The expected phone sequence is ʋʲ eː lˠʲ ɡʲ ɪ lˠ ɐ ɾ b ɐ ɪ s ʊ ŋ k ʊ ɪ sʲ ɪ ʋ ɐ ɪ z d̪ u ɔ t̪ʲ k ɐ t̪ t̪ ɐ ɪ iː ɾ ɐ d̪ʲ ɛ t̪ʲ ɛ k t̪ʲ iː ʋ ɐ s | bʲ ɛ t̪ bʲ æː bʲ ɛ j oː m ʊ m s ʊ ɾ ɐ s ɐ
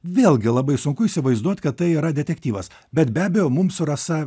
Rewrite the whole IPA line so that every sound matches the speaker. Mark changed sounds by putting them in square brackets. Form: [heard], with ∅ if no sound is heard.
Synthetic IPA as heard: ʋʲ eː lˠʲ ɡʲ ɪ lˠ ɐ [∅] b ɐ ɪ s ʊ ŋ k ʊ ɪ sʲ ɪ ʋ ɐ ɪ z d̪ u ɔ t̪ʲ k ɐ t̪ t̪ ɐ ɪ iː ɾ ɐ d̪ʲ ɛ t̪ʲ ɛ k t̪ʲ iː ʋ ɐ s | bʲ ɛ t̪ bʲ æː bʲ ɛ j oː m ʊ m s ʊ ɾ ɐ s ɐ